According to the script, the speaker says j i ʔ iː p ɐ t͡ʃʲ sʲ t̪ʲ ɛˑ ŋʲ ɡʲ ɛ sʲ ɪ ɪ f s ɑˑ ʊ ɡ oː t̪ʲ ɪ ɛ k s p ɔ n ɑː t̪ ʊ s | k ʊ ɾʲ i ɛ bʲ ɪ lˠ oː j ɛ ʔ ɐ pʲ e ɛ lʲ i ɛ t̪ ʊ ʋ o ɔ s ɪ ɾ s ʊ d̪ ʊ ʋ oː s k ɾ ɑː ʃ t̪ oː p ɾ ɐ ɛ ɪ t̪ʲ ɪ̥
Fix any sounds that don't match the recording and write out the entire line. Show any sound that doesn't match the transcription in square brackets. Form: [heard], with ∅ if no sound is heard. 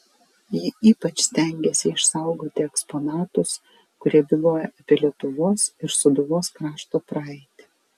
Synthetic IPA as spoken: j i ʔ iː p ɐ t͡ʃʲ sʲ t̪ʲ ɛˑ ŋʲ ɡʲ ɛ sʲ ɪ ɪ [ʃ] s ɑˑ ʊ ɡ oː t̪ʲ ɪ ɛ k s p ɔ n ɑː t̪ ʊ s | k ʊ ɾʲ i ɛ bʲ ɪ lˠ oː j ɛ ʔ ɐ pʲ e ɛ lʲ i ɛ t̪ ʊ ʋ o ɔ s ɪ ɾ s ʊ d̪ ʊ ʋ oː s k ɾ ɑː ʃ t̪ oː p ɾ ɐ ɛ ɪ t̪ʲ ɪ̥